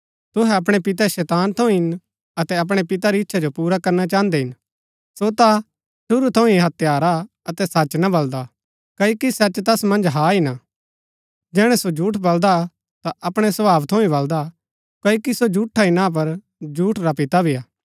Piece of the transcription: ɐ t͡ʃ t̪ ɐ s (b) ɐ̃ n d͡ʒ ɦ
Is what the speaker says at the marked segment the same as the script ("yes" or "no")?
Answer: no